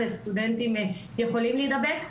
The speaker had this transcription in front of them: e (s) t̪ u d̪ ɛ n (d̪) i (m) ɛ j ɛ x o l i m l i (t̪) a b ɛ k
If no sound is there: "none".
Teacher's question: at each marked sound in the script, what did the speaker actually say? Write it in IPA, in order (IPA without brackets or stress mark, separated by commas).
s, t̪, m, d̪